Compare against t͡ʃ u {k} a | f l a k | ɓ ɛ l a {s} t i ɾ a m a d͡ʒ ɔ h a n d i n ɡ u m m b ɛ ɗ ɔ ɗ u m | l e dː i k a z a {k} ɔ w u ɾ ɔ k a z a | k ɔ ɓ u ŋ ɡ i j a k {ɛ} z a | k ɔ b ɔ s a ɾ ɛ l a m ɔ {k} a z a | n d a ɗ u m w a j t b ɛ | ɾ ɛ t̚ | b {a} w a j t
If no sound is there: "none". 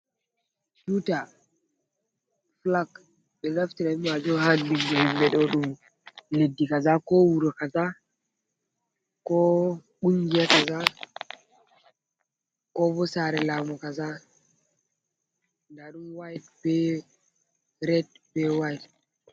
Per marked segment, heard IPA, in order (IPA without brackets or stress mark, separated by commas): t, f, k, a, k, ɛ